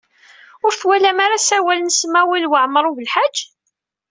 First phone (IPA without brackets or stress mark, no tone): ʊ